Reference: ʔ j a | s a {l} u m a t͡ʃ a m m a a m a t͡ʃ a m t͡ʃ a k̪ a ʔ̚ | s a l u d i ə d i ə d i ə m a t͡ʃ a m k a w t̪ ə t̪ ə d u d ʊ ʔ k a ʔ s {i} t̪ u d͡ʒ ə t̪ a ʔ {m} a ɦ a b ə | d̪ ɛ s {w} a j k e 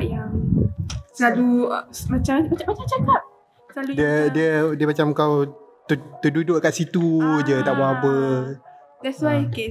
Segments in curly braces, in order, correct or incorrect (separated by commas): correct, correct, incorrect, correct